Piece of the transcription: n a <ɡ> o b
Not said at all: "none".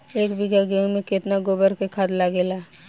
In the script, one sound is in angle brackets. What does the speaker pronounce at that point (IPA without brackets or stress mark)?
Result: ɡ